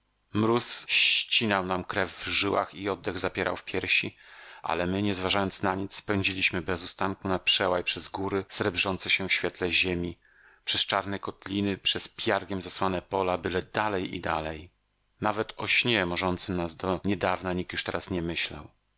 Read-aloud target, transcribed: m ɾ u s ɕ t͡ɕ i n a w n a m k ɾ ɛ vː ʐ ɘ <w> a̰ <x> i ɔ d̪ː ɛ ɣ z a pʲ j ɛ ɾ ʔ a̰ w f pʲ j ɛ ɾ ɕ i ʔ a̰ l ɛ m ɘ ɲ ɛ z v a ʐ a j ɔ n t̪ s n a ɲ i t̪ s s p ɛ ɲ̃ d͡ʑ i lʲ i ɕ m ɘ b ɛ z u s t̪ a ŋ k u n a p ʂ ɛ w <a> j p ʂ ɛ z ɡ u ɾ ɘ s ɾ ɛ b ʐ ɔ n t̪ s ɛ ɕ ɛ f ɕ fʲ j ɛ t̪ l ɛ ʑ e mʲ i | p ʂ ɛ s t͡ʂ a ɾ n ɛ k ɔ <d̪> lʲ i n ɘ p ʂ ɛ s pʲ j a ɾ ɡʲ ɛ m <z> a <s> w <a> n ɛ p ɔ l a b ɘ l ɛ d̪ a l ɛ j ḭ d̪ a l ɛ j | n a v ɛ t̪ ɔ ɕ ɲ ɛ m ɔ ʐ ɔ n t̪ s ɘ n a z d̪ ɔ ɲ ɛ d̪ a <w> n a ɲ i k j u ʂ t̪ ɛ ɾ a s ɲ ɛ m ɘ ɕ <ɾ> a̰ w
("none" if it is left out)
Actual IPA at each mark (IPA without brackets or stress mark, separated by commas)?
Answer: w, x, a, t̪, z, s, a, v, l